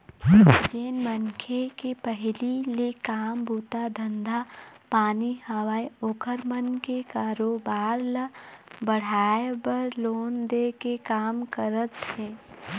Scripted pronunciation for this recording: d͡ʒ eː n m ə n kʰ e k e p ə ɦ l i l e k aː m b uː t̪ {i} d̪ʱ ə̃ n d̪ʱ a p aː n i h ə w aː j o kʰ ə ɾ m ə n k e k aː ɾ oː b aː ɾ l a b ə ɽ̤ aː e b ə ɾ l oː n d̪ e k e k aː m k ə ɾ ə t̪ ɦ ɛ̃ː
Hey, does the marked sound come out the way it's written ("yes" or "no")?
no